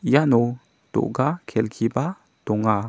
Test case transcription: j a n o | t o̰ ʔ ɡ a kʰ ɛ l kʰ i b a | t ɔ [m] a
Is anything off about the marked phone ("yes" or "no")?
yes